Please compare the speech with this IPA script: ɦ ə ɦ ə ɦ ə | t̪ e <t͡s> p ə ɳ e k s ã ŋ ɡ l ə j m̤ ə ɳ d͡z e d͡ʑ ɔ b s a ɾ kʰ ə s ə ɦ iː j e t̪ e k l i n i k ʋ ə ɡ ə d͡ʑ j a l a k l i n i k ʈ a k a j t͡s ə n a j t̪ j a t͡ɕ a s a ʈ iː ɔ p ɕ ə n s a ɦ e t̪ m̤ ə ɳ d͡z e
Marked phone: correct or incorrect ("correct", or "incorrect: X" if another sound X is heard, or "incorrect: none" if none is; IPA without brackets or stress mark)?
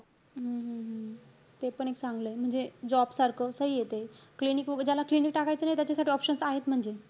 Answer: incorrect: none